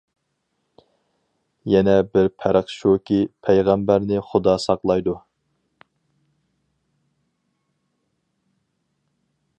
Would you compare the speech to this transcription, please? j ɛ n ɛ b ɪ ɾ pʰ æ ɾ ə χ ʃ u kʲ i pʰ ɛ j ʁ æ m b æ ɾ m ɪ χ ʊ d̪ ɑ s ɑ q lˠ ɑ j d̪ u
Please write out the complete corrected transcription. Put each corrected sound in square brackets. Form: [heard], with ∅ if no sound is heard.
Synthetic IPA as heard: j ɛ n ɛ b ɪ ɾ pʰ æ ɾ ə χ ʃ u kʲ i pʰ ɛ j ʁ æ m b æ ɾ [n] ɪ χ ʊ d̪ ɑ s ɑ q lˠ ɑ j d̪ u